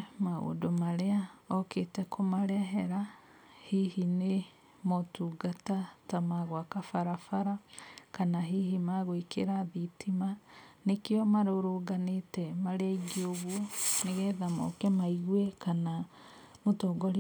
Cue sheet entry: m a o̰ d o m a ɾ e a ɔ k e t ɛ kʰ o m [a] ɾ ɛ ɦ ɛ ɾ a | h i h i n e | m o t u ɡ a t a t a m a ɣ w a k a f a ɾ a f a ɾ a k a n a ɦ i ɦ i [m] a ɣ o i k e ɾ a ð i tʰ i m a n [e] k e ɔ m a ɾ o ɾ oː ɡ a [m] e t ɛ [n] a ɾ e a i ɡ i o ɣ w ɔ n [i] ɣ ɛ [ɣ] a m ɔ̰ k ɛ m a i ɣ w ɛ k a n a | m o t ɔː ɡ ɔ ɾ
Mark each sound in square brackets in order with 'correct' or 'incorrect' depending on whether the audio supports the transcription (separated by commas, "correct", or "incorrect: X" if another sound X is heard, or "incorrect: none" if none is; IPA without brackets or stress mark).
correct, correct, correct, incorrect: n, incorrect: m, incorrect: e, incorrect: ð